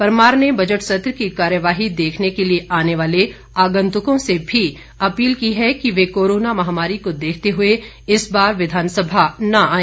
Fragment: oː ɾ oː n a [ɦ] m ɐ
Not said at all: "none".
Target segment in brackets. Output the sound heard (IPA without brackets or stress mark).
none